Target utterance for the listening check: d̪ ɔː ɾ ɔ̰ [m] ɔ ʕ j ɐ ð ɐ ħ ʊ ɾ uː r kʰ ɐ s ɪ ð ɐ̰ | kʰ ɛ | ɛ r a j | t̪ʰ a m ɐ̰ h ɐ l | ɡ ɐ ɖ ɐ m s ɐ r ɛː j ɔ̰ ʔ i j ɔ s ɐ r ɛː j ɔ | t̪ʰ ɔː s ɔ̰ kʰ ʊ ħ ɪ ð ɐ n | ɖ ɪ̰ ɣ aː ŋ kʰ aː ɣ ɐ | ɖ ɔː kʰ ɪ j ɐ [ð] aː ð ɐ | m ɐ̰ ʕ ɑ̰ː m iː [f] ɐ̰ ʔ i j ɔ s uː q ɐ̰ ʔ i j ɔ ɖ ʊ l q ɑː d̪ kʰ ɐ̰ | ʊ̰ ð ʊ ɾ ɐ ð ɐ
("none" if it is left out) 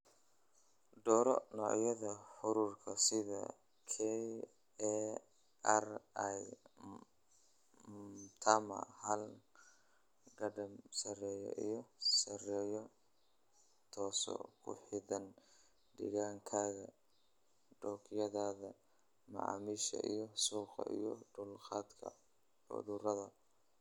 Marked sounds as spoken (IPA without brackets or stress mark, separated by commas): n, ð, ʃ